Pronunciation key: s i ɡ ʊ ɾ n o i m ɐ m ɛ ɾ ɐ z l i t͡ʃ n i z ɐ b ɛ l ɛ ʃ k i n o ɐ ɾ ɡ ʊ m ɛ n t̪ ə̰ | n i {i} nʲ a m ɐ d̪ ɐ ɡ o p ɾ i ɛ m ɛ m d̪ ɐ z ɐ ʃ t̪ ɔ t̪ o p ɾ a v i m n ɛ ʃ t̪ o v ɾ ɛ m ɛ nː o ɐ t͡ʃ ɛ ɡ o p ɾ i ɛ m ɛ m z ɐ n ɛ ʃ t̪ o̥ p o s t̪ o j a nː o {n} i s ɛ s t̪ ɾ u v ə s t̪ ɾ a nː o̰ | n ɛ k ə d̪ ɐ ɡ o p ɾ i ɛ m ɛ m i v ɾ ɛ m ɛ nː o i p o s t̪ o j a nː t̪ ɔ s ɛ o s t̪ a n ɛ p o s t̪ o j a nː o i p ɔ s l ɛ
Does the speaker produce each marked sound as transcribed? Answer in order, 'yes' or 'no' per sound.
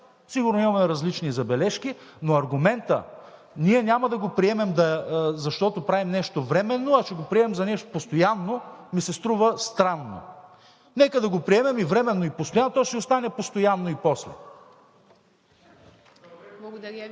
no, no

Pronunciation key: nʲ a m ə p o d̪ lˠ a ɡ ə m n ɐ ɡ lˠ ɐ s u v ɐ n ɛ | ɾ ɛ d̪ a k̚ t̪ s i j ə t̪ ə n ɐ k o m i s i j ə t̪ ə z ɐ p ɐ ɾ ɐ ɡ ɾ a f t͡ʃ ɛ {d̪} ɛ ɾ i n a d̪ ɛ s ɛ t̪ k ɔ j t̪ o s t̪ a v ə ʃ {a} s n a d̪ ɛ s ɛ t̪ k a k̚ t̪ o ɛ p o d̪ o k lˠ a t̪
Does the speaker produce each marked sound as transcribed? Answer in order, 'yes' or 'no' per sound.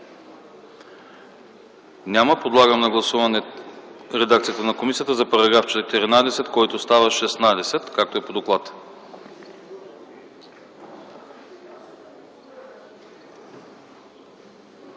no, no

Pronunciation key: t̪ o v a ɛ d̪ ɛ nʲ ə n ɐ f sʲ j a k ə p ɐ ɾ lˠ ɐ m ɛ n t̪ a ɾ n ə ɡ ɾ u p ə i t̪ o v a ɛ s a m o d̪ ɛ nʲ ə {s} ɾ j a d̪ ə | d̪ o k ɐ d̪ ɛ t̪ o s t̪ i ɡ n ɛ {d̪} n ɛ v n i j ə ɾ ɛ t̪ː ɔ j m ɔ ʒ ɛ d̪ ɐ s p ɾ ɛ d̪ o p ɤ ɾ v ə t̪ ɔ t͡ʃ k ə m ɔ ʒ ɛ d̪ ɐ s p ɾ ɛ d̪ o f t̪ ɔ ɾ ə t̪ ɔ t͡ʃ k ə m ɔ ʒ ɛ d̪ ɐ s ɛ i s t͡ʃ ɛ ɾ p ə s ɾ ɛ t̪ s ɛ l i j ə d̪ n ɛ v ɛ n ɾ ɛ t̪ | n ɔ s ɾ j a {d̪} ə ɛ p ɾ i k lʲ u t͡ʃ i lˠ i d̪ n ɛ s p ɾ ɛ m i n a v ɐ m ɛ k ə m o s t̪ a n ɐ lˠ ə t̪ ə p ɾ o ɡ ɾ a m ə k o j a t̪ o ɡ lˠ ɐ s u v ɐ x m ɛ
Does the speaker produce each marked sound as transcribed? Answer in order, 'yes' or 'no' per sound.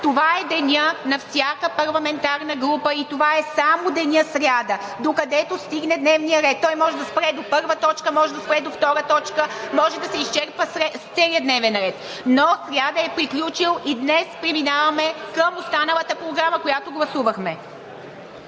yes, yes, yes

